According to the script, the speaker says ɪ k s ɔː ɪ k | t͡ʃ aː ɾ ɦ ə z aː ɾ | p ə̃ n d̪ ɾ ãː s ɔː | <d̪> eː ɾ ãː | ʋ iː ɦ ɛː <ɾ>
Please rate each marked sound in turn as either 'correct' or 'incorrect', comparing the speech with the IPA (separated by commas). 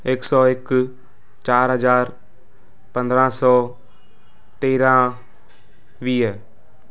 incorrect, incorrect